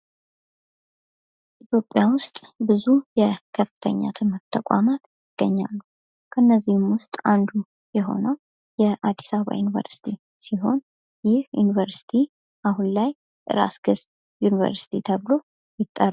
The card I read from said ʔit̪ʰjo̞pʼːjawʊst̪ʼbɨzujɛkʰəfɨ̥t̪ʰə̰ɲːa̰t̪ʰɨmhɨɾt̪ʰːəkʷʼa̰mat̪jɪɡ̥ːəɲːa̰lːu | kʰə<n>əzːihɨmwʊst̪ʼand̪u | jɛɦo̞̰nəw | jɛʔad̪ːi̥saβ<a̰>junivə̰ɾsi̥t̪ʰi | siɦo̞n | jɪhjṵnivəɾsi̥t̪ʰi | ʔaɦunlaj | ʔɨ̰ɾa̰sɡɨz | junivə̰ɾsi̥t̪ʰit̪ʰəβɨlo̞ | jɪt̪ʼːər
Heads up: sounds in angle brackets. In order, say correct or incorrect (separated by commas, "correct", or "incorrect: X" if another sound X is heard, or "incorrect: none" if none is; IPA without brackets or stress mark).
incorrect: nː, correct